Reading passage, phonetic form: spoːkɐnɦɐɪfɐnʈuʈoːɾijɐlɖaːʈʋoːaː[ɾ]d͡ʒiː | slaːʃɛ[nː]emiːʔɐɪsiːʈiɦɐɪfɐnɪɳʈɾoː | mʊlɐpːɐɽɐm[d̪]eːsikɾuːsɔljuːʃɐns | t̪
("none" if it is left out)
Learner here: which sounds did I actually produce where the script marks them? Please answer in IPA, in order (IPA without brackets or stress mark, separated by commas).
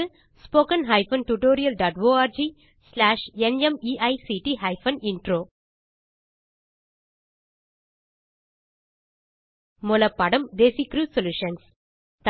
ɾ, n, d̪